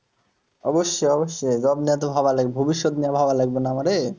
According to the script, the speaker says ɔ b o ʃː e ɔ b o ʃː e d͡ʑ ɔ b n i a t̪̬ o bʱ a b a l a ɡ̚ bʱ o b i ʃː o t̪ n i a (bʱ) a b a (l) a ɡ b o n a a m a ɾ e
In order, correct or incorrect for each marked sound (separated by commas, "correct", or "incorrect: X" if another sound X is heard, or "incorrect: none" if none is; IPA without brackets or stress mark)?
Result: correct, correct